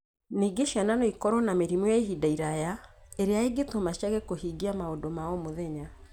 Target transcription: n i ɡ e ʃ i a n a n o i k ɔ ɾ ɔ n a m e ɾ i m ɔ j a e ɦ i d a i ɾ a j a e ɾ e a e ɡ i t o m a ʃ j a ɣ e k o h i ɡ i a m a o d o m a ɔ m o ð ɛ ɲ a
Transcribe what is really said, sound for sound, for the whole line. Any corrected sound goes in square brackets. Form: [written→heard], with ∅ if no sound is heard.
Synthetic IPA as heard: n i ɡ e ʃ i a n a n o i k ɔ ɾ ɔ n a m e ɾ i m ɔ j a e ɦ i d a i ɾ a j a e ɾ e a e ɡ [i→e] t o m a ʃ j a ɣ e k o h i ɡ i a m a o d o m a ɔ m o ð ɛ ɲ a